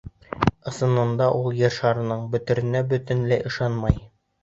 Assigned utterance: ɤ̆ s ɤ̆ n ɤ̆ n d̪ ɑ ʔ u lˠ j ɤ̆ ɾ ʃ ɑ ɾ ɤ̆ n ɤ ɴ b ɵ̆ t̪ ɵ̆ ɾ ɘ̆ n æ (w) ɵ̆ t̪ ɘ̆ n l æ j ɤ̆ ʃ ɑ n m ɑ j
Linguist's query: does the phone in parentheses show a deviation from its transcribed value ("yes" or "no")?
yes